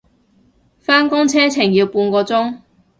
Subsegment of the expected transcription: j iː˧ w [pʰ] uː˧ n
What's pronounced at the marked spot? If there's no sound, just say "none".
p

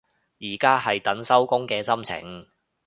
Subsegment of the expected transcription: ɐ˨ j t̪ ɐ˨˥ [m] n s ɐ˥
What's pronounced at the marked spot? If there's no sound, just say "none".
none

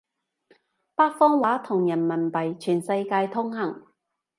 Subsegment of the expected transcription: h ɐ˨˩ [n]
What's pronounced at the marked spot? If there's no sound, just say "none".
ŋ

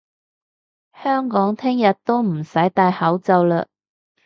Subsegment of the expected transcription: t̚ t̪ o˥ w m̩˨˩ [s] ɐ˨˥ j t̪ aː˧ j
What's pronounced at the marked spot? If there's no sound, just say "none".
s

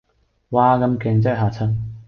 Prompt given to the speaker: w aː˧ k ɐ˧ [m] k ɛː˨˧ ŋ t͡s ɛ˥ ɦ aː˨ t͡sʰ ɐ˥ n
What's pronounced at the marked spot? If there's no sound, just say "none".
m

